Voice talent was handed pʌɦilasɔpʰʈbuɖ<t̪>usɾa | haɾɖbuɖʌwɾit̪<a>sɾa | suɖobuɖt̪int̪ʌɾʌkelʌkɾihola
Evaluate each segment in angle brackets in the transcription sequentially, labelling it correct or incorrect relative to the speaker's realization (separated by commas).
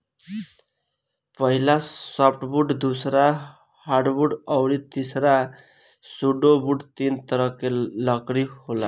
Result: incorrect, incorrect